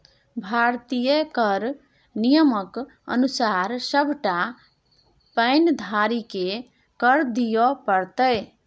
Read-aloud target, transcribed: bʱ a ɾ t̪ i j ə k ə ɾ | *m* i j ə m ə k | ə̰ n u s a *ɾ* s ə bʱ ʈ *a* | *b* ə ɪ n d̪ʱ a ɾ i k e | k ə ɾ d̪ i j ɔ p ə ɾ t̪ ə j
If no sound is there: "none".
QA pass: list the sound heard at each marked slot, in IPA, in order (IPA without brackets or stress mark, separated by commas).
n, ɾ, a, p